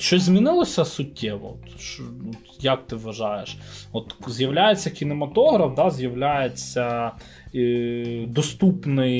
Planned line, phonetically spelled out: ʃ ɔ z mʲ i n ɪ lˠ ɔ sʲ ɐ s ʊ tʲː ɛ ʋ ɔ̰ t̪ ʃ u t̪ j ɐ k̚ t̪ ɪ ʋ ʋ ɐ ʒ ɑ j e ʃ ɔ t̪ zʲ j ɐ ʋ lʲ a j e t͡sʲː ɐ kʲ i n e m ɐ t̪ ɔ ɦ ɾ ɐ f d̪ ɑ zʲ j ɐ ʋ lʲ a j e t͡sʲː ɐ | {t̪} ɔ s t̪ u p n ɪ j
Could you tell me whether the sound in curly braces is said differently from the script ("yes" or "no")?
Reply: yes